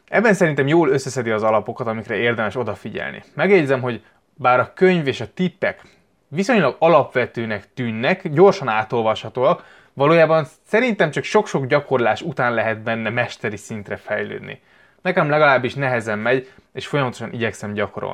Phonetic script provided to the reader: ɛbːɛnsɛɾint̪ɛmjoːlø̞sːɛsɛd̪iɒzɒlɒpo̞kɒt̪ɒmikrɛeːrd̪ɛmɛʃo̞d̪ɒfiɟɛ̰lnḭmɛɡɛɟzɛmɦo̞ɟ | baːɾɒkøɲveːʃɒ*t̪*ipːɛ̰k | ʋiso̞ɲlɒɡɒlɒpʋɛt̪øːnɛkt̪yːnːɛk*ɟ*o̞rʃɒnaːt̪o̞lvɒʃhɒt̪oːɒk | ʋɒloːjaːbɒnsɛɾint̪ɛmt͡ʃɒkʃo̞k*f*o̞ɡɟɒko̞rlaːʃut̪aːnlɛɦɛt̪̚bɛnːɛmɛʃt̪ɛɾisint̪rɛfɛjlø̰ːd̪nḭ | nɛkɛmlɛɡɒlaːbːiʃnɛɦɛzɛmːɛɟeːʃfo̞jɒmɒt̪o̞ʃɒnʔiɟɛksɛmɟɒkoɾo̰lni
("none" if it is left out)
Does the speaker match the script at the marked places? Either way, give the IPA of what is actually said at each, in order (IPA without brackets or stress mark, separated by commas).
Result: t̪, ɟ, ʃ